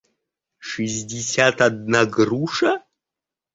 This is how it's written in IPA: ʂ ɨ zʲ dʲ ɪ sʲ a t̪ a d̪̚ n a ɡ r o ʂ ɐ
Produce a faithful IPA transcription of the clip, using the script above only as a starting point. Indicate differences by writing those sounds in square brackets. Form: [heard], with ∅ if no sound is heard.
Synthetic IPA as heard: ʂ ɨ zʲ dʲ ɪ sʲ a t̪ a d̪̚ n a ɡ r [u] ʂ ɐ

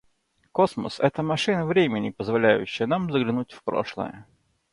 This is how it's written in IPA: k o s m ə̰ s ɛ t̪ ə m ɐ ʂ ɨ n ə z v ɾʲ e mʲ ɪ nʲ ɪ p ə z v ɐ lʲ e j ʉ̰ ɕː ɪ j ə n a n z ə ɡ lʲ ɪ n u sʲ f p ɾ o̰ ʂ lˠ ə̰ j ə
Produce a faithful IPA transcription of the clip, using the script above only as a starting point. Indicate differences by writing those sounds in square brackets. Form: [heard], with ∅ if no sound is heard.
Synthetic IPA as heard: k o s m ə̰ s ɛ t̪ ə m ɐ ʂ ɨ n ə [∅] v ɾʲ e mʲ ɪ nʲ ɪ p ə z v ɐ lʲ [æ] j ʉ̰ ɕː ɪ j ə n a [m] z ə ɡ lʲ ɪ n u [tʲ] f p ɾ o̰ ʂ lˠ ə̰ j ə

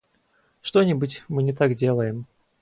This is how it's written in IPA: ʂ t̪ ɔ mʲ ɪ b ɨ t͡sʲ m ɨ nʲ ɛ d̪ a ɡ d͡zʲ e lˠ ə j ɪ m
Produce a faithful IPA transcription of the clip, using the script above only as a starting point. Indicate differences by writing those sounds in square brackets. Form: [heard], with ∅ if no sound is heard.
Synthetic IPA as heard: ʂ t̪ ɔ [nʲ] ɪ b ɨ t͡sʲ m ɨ nʲ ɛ [t̪] a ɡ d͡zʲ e lˠ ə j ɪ m

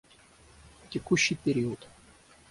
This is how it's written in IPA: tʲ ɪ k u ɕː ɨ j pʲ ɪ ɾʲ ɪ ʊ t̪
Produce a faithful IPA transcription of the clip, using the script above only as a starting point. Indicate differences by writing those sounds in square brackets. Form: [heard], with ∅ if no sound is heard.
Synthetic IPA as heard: tʲ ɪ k u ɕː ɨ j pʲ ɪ ɾʲ [i] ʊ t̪

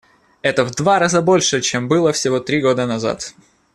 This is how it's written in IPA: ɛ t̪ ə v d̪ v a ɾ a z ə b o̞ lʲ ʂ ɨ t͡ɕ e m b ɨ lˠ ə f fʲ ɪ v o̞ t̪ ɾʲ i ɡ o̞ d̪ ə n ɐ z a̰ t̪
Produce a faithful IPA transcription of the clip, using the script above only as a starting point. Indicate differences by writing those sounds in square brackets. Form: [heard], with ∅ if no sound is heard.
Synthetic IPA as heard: ɛ t̪ ə v d̪ v a ɾ a z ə b o̞ lʲ ʂ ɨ t͡ɕ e m b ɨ lˠ ə f [sʲ] ɪ v o̞ t̪ ɾʲ i ɡ o̞ d̪ ə n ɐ z a̰ t̪

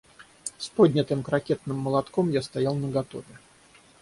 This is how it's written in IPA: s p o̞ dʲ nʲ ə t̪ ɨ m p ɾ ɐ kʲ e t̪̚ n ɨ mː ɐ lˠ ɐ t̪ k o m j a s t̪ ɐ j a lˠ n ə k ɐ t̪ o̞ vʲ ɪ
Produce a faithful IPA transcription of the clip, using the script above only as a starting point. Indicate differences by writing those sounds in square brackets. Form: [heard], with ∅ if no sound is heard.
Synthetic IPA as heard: s p o̞ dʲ nʲ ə t̪ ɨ m [k] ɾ ɐ kʲ e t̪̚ n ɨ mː [ə] lˠ ɐ t̪ k o m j a s t̪ ɐ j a lˠ n ə [ɡ] ɐ t̪ o̞ vʲ ɪ

